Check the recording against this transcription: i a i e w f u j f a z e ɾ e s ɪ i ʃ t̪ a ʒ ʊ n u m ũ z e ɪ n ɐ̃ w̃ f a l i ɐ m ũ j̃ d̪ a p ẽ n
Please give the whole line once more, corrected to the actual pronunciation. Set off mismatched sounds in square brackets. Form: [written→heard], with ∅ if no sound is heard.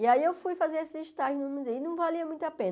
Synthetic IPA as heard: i a i e w f u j f a z e ɾ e s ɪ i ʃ t̪ a ʒ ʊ n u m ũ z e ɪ n ɐ̃ w̃ [f→v] a l i ɐ m ũ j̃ [d̪→t̪] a p ẽ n